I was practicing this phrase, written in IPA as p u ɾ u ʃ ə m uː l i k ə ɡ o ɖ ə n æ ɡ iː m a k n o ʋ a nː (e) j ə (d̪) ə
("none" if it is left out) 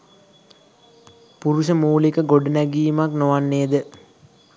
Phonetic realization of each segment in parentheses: e, d̪

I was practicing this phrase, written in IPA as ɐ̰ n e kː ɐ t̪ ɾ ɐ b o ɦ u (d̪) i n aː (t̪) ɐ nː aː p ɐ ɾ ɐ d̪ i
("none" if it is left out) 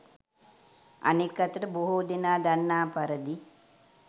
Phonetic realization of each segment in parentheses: d̪, d̪

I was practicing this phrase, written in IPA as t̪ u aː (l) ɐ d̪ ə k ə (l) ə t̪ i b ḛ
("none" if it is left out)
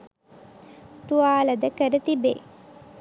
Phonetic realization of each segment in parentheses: l, ɾ

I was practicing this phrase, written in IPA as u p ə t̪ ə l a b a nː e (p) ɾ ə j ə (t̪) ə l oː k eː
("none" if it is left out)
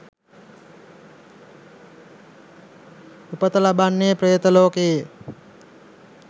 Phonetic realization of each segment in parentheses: p, t̪

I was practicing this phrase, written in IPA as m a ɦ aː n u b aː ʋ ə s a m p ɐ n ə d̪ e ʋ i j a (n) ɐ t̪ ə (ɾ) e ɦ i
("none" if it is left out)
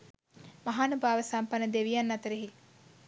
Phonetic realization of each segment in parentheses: nː, ɾ

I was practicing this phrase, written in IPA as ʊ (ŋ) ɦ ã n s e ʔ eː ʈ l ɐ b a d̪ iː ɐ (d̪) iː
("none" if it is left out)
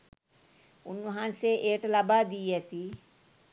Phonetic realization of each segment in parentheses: n, t̪

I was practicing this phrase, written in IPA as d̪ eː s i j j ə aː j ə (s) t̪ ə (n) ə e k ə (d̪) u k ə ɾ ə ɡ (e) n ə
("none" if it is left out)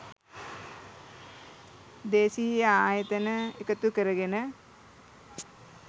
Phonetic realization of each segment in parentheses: none, n, t̪, e

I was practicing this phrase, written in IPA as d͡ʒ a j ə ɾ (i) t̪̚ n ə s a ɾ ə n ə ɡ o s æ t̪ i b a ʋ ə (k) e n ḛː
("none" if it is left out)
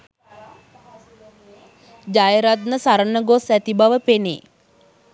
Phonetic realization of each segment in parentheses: a, p

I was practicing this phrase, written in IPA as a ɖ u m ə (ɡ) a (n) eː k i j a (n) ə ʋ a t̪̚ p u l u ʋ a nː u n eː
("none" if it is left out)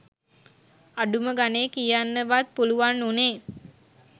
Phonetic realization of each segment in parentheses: ɡ, n, nː

